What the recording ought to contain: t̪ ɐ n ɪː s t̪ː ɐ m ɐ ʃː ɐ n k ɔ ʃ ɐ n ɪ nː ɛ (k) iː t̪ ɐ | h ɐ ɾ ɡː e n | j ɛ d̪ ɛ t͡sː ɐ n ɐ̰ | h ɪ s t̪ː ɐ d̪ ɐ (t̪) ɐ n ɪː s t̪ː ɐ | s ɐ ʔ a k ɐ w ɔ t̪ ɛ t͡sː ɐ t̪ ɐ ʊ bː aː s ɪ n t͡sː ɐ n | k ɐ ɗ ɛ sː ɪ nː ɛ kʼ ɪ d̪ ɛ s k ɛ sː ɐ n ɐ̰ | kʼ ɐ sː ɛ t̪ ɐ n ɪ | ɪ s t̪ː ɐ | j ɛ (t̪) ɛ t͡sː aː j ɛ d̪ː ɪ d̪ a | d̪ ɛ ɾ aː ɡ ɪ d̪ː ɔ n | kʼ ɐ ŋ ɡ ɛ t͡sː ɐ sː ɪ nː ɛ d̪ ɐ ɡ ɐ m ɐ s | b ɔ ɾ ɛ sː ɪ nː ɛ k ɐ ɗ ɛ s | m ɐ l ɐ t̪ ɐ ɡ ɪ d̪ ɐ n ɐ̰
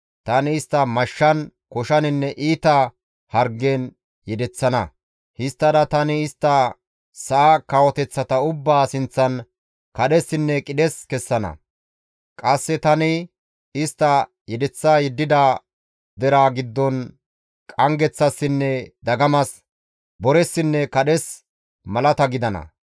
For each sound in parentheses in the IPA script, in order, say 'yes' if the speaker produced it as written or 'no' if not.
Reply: no, yes, no

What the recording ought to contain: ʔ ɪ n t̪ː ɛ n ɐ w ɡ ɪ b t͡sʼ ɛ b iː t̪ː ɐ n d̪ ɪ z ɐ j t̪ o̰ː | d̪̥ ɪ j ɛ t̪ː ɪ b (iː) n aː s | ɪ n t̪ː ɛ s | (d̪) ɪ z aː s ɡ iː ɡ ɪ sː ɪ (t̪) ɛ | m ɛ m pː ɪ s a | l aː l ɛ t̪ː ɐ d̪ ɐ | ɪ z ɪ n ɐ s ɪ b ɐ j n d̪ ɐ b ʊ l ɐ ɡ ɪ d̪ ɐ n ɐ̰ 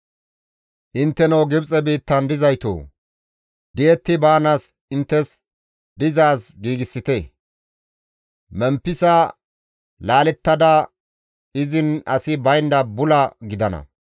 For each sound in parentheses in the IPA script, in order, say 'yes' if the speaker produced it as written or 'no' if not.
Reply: no, yes, yes

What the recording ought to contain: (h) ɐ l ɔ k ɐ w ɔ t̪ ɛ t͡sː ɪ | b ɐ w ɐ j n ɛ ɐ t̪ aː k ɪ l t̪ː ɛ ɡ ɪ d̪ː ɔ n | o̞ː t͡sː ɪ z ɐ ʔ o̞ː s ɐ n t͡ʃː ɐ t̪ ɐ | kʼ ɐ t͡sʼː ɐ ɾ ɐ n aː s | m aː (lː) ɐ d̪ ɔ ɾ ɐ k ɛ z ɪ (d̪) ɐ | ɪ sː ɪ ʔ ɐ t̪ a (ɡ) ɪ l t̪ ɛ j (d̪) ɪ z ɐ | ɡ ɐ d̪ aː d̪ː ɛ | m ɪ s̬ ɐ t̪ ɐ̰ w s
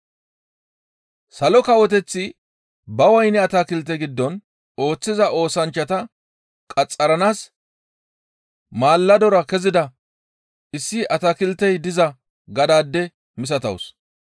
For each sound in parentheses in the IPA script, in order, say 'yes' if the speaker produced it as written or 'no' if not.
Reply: no, yes, yes, no, yes

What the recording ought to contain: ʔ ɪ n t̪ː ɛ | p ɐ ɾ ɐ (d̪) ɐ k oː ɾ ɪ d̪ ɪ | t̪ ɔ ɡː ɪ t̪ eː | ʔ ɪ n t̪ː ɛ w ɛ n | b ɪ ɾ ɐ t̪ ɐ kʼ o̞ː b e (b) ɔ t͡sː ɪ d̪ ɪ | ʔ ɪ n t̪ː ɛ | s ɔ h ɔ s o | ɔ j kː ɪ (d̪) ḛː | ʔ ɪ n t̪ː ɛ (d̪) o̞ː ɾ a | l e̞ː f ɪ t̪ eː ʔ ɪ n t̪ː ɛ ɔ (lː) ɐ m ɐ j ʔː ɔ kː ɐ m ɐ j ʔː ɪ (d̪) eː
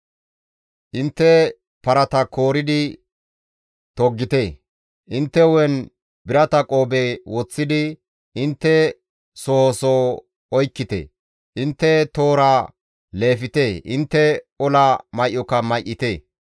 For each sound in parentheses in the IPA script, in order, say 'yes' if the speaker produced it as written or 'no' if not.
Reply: no, no, no, no, no, no

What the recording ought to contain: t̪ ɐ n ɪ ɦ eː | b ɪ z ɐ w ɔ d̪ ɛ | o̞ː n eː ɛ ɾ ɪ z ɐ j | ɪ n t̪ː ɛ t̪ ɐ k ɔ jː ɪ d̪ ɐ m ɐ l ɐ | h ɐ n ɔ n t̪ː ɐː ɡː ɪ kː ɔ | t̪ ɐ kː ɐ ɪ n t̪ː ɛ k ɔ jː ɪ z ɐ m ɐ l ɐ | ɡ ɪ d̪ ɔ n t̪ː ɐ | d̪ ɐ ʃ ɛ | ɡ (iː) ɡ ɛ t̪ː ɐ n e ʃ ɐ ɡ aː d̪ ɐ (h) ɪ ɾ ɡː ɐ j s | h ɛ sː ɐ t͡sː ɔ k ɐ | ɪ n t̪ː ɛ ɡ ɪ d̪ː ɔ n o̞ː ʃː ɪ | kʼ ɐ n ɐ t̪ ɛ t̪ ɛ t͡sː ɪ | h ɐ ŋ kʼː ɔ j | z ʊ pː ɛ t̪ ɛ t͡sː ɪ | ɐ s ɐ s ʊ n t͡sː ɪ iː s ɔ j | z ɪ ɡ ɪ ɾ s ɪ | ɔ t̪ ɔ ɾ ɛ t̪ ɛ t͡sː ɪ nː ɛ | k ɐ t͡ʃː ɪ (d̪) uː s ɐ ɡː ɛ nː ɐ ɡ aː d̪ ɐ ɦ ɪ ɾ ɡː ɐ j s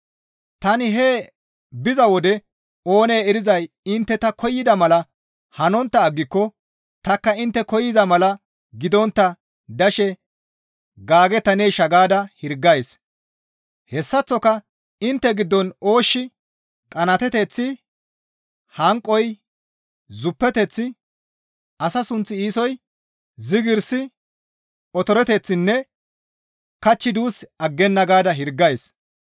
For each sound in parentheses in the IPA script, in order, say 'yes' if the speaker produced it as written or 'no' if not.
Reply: no, yes, yes

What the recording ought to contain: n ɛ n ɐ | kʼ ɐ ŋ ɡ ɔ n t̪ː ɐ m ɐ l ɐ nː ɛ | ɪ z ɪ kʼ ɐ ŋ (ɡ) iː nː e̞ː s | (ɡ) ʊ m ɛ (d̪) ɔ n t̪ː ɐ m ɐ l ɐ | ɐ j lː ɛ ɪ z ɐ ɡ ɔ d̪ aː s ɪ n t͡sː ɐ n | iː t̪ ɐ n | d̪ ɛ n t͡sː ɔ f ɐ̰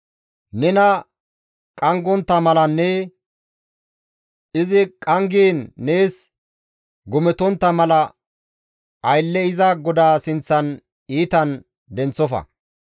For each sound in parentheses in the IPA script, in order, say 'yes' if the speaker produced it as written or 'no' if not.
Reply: yes, yes, no

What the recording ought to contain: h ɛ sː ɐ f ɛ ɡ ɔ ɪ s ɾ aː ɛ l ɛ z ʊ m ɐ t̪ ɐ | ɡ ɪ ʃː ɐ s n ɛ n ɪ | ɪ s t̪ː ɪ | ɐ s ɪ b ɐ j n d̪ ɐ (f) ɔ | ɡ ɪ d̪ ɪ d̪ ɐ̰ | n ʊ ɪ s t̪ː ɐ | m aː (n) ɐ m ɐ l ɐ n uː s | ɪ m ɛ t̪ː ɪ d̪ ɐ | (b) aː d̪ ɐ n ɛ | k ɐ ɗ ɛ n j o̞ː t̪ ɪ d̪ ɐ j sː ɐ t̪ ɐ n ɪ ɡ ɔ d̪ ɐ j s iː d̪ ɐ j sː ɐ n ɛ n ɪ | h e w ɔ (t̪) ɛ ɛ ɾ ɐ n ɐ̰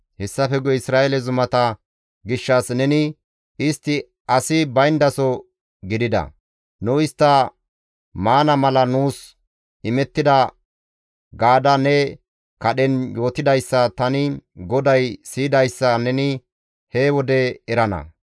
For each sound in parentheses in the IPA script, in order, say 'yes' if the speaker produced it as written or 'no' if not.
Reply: no, yes, no, no

